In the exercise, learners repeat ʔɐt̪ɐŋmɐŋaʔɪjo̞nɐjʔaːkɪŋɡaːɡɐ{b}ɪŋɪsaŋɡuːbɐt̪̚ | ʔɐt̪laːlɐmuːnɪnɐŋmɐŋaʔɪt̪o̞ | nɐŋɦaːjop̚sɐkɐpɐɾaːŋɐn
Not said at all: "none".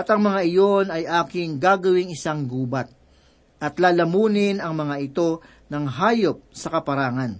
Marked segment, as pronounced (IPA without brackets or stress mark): w